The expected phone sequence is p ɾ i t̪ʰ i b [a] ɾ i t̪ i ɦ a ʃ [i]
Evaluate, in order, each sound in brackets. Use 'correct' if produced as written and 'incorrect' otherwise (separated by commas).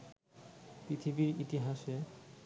incorrect, incorrect